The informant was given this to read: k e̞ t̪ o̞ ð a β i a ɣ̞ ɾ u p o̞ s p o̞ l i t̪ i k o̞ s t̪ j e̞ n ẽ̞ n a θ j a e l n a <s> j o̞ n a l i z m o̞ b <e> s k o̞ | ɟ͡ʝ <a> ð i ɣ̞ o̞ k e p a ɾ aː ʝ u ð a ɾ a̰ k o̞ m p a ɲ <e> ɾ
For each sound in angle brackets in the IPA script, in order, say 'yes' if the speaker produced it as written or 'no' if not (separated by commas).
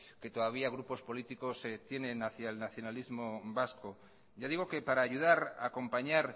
no, no, yes, no